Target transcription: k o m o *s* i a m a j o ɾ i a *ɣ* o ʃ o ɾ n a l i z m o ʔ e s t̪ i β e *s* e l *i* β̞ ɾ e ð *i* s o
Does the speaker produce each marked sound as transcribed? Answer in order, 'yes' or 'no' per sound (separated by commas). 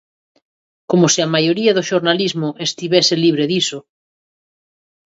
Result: yes, no, yes, yes, yes